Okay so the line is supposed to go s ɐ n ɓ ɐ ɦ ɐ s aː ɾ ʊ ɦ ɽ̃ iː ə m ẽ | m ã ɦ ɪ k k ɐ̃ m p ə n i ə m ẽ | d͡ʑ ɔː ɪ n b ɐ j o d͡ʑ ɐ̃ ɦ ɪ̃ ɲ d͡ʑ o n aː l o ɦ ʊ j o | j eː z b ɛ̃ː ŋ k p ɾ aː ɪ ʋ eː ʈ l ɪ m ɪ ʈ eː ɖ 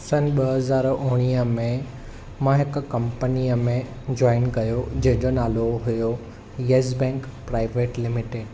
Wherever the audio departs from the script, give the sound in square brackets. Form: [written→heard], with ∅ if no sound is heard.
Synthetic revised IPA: s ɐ n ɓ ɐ ɦ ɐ [s→z] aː ɾ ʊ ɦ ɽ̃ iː ə m ẽ | m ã ɦ ɪ k k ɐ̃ m p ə n i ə m ẽ | d͡ʑ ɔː ɪ n [b→ɡ] ɐ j o d͡ʑ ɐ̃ ɦ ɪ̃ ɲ d͡ʑ o n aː l o ɦ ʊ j o | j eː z b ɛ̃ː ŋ k p ɾ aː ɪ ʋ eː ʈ l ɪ m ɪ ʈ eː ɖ